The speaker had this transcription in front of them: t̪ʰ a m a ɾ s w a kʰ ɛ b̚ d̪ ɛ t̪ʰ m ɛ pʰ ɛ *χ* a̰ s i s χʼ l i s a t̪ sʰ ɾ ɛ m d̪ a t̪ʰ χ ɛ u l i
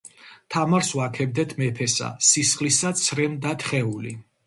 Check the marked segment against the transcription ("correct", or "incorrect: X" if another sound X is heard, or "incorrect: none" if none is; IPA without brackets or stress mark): incorrect: s